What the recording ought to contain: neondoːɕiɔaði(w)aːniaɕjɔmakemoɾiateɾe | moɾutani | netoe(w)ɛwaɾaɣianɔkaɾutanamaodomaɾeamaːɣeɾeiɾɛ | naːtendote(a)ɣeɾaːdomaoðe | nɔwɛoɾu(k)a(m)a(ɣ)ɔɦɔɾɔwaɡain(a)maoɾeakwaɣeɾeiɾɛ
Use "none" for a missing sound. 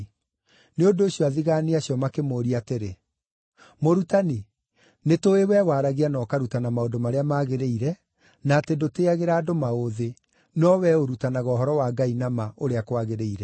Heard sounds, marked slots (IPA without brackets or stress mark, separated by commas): ɣ, w, a, t, n, ɣ, a